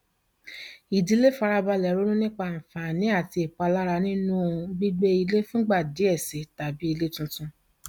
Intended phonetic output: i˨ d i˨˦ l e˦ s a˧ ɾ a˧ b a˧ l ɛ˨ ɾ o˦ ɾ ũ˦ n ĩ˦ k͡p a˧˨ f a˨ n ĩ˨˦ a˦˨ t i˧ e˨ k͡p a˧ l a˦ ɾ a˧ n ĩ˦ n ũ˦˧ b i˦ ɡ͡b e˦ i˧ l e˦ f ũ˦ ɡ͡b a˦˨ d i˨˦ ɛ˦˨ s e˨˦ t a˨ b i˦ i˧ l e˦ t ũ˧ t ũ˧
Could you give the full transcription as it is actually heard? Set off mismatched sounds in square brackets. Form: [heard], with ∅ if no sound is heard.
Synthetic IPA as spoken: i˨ d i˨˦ l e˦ [f] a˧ ɾ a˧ b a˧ l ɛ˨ ɾ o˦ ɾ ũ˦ n ĩ˦ k͡p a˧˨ f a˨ n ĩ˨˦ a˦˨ t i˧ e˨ k͡p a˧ l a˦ ɾ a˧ n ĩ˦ n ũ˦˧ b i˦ ɡ͡b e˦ i˧ l e˦ f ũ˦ ɡ͡b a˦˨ d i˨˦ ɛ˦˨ s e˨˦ t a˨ b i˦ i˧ l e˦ t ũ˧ t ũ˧